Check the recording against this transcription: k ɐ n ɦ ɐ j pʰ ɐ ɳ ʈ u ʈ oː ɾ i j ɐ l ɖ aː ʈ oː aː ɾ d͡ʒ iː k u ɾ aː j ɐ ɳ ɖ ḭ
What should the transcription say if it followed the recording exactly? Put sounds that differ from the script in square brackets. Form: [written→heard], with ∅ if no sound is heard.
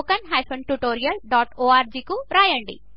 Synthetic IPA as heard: k ɐ n ɦ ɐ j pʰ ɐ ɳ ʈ u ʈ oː ɾ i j ɐ l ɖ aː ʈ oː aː ɾ d͡ʒ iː k u ɾ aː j ɐ ɳ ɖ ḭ

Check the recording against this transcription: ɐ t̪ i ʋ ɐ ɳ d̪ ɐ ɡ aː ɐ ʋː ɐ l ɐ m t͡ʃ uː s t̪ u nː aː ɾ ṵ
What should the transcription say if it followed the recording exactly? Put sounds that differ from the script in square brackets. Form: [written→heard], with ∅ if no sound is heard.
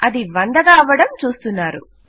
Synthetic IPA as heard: ɐ [t̪→d̪] i ʋ ɐ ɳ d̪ ɐ ɡ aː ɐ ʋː ɐ [l→ɽ] ɐ m t͡ʃ uː s t̪ u nː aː ɾ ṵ

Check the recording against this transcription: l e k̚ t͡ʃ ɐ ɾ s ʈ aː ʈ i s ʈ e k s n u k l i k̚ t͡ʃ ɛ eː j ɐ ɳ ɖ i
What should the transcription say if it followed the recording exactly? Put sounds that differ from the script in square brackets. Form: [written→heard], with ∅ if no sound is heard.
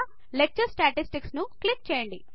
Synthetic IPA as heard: l e k̚ t͡ʃ ɐ ɾ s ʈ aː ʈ i s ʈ [e→i] k s n u k l i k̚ t͡ʃ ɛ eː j ɐ ɳ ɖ i

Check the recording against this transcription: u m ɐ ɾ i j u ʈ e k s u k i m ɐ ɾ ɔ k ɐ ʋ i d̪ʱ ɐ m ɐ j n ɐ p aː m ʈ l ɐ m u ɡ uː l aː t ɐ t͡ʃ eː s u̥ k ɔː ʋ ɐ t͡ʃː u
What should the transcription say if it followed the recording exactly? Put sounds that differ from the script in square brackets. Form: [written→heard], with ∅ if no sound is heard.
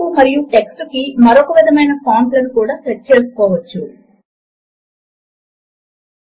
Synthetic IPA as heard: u m ɐ ɾ i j u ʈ e k s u k i m ɐ ɾ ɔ k ɐ ʋ i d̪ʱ ɐ m ɐ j n ɐ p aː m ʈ l ɐ [m→n] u [ɡ→k] uː [l→ɽ] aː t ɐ t͡ʃ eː s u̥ k ɔː ʋ ɐ t͡ʃː u

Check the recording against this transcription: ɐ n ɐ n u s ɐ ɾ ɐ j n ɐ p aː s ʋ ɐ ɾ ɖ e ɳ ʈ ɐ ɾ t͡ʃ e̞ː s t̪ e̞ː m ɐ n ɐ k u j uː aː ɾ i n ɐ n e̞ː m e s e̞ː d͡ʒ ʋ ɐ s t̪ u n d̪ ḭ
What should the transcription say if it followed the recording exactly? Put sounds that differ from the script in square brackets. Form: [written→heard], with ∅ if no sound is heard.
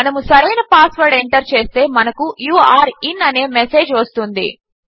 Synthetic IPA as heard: ɐ n ɐ [n→m] u s ɐ ɾ ɐ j n ɐ p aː s ʋ ɐ ɾ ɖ e ɳ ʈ ɐ ɾ t͡ʃ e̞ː s t̪ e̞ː m ɐ n ɐ k u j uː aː ɾ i n ɐ n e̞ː m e s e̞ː d͡ʒ ʋ ɐ s t̪ u n d̪ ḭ

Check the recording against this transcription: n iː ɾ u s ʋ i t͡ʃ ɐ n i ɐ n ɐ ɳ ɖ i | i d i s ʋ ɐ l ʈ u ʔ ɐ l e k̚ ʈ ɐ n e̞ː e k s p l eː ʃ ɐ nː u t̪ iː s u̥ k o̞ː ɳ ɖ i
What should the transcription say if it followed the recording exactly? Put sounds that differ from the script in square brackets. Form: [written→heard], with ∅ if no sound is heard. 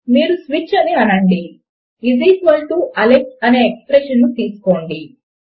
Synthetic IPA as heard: [n→m] iː ɾ u s ʋ i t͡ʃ ɐ n i ɐ n ɐ ɳ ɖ i | i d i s ʋ ɐ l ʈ u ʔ ɐ l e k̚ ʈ ɐ n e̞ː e k s p [l→ɾ] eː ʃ ɐ nː u t̪ iː s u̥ k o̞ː ɳ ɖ i

